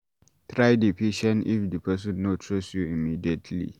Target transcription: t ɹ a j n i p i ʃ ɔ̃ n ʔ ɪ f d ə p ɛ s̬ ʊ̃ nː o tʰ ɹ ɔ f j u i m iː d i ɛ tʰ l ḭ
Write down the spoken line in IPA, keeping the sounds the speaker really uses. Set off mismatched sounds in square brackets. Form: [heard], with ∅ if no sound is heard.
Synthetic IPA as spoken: t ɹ a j [d] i p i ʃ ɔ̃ n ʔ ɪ f d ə p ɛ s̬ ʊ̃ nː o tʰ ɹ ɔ [s] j u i m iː d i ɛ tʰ l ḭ